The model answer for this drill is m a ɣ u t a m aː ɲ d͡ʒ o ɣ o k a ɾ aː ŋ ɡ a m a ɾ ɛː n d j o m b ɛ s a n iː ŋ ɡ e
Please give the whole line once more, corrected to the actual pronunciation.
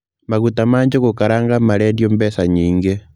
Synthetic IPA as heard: m a ɣ u t a m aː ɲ d͡ʒ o ɣ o k a ɾ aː ŋ ɡ a m a ɾ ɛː n d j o m b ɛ s a ɲ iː ŋ ɡ e